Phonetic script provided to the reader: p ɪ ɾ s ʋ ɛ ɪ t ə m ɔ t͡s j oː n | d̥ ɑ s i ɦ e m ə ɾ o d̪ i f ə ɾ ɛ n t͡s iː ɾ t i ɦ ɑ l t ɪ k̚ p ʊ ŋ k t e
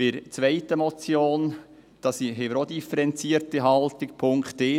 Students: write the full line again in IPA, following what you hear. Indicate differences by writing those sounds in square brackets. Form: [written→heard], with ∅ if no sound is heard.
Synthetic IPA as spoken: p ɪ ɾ [s→t͡s] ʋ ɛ ɪ t ə m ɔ t͡s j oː n | d̥ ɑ s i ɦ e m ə ɾ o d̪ i f ə ɾ ɛ n t͡s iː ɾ t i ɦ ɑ l t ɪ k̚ [p→pʰ] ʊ ŋ k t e